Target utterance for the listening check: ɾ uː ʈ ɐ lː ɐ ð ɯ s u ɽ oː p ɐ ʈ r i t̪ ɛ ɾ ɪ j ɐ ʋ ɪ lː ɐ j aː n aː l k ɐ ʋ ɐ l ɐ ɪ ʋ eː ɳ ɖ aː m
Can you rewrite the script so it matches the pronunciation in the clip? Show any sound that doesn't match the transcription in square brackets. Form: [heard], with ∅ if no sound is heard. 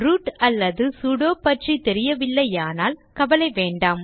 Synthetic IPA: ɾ uː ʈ ɐ lː ɐ ð ɯ s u ɽ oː p ɐ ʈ r i t̪ ɛ ɾ ɪ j ɐ ʋ ɪ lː ɐ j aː n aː l k ɐ ʋ ɐ l ɐ ɪ ʋ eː ɳ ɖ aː m